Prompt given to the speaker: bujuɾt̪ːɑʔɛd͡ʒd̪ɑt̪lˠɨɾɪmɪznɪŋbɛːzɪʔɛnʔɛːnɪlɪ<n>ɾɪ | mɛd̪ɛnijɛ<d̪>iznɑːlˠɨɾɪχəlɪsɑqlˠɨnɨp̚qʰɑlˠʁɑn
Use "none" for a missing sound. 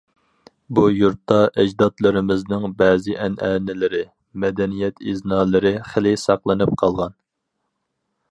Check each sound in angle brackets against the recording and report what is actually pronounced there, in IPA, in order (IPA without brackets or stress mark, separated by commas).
none, t̪